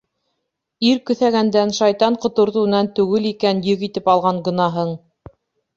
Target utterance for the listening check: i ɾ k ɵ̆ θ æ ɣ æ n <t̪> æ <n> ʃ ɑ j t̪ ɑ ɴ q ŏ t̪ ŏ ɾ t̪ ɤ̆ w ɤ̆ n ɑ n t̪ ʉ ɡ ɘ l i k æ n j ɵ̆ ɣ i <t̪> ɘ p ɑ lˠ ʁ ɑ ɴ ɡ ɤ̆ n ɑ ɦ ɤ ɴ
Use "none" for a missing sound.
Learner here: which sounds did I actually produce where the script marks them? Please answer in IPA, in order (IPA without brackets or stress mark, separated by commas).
d̪, n, t̪